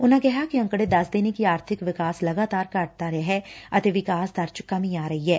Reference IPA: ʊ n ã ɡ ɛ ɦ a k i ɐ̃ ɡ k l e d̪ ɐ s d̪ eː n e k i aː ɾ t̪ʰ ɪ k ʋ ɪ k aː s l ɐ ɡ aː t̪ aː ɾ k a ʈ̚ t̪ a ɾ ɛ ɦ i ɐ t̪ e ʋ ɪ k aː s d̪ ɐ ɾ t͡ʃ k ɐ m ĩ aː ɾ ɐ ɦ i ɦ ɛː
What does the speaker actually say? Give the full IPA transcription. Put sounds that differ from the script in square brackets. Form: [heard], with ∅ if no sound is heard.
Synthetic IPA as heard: ʊ n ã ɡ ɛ ɦ a k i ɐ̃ [ŋ] k [ɽ] e d̪ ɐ s d̪ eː n e k i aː ɾ t̪ʰ ɪ k ʋ ɪ k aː s l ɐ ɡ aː t̪ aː ɾ k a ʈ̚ t̪ a ɾ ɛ ɦ [ɛ] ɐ t̪ e ʋ ɪ k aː s d̪ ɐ ɾ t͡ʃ k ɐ m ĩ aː ɾ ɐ ɦ i ɦ ɛː